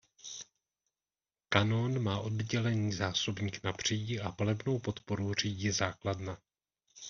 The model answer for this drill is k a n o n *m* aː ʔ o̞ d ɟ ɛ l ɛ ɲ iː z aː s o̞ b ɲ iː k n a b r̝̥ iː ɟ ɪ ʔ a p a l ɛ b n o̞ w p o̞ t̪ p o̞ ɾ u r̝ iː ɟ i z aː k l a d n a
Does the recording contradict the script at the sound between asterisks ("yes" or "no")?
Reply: no